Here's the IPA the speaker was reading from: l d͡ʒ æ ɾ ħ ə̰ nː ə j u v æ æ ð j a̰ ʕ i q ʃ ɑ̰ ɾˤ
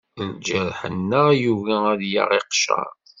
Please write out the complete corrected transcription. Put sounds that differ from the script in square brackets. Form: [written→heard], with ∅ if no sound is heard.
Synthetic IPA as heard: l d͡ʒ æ ɾ ħ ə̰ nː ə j u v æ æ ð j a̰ [ʕ→ʁ] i q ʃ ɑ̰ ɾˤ